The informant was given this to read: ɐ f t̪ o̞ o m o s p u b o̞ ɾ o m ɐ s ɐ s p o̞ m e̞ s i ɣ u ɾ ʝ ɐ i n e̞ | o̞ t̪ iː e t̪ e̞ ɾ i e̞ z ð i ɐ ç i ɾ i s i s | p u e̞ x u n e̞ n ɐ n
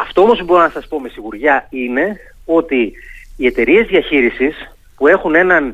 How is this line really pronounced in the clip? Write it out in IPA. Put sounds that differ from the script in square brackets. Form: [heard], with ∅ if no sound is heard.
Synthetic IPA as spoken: ɐ f t̪ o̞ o m o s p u b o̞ ɾ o [n] ɐ s ɐ s p o̞ m e̞ s i ɣ u ɾ ʝ ɐ i n e̞ | o̞ t̪ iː e t̪ e̞ ɾ i e̞ z ð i ɐ ç i ɾ i s i s | p u e̞ x u n e̞ n ɐ n